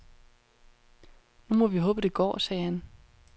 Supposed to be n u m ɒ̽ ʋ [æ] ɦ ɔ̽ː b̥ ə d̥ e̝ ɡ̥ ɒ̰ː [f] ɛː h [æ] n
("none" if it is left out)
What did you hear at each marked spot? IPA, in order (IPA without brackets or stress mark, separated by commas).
i, s, æ